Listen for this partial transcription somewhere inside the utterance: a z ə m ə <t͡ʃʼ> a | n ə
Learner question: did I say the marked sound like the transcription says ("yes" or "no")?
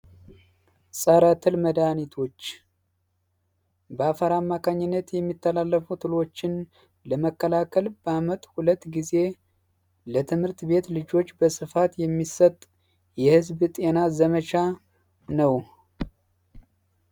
no